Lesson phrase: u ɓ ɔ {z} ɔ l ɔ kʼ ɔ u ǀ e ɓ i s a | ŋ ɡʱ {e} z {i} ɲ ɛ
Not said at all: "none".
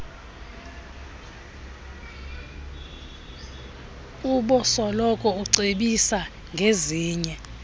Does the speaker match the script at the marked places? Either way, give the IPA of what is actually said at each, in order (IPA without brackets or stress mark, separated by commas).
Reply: s, e, iː